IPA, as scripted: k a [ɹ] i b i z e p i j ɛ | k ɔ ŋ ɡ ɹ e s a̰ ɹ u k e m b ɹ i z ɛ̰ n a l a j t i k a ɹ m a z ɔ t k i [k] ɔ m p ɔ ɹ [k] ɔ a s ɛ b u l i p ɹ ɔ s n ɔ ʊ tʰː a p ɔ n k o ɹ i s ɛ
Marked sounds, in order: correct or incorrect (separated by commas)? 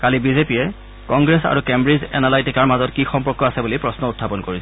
incorrect, incorrect, correct